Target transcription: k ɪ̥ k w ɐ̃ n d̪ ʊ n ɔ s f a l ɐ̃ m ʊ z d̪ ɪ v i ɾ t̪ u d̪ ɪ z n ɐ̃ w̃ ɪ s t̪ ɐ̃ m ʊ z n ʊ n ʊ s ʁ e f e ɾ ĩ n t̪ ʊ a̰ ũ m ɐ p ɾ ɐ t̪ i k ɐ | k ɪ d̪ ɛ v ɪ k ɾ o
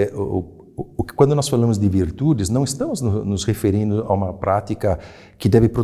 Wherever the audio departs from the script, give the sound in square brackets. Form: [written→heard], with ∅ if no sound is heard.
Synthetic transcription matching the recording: k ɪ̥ k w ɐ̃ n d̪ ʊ n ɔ s f a l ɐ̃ m ʊ z d̪ ɪ v i ɾ t̪ u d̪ ɪ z n ɐ̃ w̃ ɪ s t̪ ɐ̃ m ʊ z n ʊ n ʊ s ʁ e f e ɾ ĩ n [t̪→d̪] ʊ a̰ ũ m ɐ p ɾ [ɐ→a] t̪ i k ɐ | k ɪ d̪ ɛ v ɪ [k→p] ɾ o